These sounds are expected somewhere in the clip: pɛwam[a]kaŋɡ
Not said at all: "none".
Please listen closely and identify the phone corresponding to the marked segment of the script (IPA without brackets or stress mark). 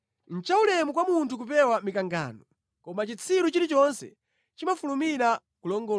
i